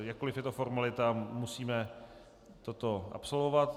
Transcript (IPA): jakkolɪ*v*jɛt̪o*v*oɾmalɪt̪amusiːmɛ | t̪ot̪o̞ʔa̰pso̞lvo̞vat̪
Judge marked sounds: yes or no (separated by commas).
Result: no, no